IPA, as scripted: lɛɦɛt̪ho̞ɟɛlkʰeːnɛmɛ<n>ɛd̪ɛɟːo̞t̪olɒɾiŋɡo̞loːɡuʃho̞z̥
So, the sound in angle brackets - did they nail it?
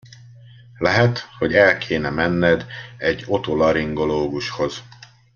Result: no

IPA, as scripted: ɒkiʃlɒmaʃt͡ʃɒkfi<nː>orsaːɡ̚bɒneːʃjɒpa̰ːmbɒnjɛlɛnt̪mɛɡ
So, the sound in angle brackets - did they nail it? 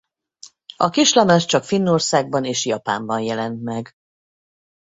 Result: yes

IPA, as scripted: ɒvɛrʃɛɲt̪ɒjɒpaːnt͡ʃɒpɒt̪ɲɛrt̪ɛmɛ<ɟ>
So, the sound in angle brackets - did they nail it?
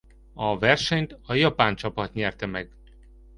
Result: no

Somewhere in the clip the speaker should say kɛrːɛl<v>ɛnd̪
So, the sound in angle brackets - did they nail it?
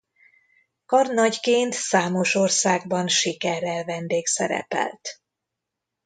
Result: yes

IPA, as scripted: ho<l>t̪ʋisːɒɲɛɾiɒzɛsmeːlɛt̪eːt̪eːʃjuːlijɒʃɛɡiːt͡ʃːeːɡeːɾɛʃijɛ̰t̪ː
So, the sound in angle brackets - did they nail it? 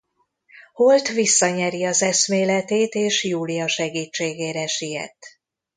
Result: yes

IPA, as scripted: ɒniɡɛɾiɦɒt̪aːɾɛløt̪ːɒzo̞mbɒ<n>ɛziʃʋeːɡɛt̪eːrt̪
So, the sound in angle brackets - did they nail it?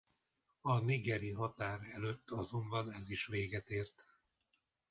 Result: yes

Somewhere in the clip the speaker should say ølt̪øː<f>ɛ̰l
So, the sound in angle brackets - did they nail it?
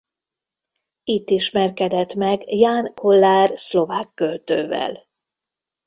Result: no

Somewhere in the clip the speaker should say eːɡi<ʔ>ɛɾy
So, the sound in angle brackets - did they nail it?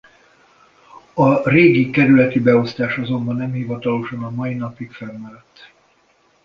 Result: no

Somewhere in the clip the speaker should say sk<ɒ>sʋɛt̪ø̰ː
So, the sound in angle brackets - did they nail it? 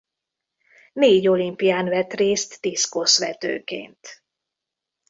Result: no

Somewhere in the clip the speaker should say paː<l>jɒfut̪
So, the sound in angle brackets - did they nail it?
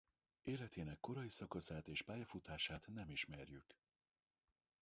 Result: no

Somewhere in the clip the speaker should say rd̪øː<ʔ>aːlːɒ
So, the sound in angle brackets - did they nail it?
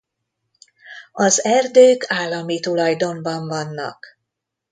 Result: no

